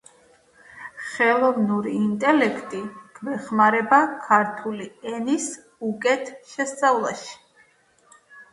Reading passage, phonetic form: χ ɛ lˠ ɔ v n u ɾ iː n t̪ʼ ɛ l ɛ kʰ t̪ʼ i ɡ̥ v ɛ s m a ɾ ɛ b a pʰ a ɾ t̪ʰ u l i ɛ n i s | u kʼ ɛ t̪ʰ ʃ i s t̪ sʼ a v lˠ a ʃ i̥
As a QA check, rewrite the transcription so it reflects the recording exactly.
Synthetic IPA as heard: χ ɛ lˠ ɔ v n u ɾ iː n t̪ʼ ɛ l ɛ kʰ t̪ʼ i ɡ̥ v ɛ χ m a ɾ ɛ b a kʰ a ɾ t̪ʰ u l i ɛ n i s | u kʼ ɛ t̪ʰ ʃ ɛ s t̪ sʼ a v lˠ a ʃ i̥